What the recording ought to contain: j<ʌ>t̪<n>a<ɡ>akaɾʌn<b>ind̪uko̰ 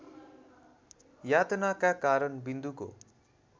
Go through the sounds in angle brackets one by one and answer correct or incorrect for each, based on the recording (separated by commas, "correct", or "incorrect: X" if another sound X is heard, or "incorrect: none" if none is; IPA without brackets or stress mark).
incorrect: a, correct, incorrect: k, correct